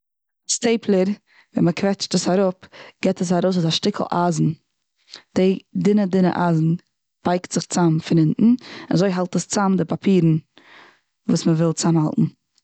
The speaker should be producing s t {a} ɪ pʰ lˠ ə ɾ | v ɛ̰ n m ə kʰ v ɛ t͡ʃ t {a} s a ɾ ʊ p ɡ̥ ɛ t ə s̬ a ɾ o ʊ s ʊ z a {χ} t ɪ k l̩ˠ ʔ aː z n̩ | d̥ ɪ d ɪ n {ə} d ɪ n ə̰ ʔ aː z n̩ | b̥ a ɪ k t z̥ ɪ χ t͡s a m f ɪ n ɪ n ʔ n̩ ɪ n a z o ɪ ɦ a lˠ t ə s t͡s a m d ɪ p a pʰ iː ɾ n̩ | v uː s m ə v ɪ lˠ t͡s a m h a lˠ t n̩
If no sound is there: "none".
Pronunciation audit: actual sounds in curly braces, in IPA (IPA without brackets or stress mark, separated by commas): e, ə, ʃ, ə